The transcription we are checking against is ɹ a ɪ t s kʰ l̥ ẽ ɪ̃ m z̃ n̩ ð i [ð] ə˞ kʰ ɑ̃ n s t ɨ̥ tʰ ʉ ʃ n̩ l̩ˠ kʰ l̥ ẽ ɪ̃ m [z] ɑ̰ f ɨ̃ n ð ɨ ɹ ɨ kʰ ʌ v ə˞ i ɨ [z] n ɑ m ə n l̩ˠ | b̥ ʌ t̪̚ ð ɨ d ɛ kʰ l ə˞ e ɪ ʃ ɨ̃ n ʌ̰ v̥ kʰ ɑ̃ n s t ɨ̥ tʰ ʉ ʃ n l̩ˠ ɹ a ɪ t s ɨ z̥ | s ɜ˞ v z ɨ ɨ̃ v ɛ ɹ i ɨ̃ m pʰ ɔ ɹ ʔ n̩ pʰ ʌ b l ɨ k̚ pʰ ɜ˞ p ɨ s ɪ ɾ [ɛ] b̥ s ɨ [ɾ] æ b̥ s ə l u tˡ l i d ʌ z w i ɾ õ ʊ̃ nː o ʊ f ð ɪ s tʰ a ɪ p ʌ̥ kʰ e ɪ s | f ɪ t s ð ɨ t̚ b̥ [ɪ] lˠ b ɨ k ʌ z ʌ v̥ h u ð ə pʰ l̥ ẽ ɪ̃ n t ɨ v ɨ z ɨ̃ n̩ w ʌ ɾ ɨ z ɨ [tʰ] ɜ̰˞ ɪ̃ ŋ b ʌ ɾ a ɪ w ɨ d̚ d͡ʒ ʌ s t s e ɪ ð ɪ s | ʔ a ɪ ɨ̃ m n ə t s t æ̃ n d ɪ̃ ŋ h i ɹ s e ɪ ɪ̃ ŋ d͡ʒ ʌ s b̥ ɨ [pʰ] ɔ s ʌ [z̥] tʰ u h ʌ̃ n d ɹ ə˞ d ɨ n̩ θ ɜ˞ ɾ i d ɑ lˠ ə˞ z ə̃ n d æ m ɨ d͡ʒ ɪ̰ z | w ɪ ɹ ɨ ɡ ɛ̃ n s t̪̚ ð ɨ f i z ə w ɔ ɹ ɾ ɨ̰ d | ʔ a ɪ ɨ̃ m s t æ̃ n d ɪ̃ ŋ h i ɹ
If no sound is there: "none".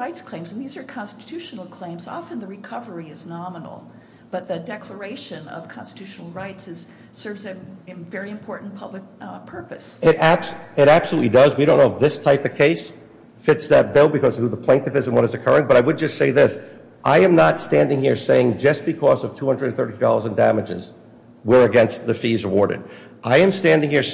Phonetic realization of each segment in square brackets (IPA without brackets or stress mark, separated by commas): z, z, z, æ, ɾ, ɪ, kʰ, kʰ, v̥